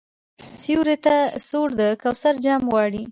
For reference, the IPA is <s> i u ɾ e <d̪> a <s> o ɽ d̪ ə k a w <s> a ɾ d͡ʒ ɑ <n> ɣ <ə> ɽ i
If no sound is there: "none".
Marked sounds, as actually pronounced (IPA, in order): s, t̪, s, s, m, ɑ

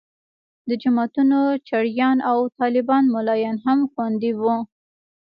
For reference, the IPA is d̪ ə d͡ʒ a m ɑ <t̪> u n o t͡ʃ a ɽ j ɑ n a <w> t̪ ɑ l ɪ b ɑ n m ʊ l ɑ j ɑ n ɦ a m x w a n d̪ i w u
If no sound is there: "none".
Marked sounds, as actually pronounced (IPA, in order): t̪, w

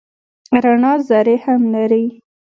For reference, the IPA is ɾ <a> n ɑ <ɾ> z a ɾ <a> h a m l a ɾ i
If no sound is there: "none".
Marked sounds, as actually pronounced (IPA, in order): a, none, e

